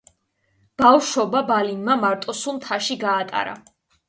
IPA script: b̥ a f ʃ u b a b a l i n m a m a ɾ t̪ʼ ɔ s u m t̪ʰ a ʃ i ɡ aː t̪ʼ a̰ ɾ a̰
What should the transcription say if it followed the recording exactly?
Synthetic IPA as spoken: b̥ a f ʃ ɔ b a b a l i n m a m a ɾ t̪ʼ ɔ s u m t̪ʰ a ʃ i ɡ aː t̪ʼ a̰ ɾ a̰